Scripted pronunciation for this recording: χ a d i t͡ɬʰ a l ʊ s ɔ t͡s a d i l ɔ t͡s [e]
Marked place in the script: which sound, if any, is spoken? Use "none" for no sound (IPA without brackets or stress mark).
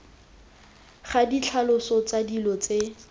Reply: e